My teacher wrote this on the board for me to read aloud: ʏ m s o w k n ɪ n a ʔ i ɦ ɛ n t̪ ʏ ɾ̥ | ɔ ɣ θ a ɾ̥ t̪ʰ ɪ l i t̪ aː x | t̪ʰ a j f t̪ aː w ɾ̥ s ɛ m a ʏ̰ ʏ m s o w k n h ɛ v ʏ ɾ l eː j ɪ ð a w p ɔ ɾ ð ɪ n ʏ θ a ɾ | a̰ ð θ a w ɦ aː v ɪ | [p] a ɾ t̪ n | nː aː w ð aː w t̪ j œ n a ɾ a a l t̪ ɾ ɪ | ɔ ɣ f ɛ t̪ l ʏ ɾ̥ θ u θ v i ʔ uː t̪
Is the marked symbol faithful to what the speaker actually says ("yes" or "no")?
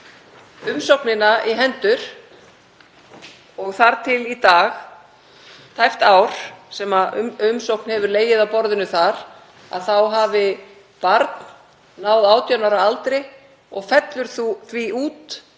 yes